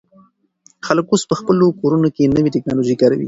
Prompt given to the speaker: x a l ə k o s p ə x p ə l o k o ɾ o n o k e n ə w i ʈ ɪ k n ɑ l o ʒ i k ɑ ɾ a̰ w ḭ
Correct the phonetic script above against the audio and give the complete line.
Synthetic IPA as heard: x a l ə k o s p ə x p ə l o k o ɾ u n o k e n ə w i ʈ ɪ k n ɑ l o ʒ i k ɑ ɾ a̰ w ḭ